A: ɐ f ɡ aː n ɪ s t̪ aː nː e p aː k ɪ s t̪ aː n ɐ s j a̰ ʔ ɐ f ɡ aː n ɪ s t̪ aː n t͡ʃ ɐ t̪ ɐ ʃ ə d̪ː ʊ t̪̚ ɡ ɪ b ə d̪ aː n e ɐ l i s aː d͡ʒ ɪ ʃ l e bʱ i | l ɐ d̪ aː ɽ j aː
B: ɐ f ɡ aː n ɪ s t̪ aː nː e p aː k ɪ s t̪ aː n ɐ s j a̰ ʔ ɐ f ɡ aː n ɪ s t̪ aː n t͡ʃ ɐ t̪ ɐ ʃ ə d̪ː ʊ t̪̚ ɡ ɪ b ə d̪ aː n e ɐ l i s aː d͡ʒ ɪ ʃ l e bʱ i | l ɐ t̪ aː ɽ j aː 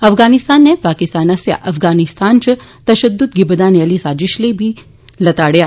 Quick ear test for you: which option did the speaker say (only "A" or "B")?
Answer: B